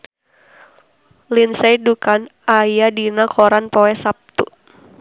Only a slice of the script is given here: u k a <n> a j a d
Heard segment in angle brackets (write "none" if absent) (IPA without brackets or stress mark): n